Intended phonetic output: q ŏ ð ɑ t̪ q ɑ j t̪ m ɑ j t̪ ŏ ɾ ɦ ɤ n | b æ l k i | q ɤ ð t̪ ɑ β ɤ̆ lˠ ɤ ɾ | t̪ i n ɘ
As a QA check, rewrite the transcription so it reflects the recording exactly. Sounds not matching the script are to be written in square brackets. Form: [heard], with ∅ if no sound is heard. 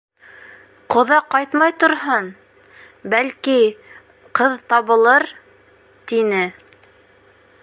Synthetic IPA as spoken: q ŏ ð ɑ [∅] q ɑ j t̪ m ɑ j t̪ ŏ ɾ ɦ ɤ n | b æ l k i | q ɤ ð t̪ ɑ β ɤ̆ lˠ ɤ ɾ | t̪ i n ɘ